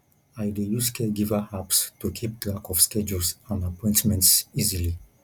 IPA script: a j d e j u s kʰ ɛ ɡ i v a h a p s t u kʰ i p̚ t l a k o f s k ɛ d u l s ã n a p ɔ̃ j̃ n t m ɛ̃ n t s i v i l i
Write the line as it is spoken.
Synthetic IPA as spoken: a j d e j u s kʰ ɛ ɡ i v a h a p s t u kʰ i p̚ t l a k ɔ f s k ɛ d͡ʒ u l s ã n a p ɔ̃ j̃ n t m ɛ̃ n t s i z i l i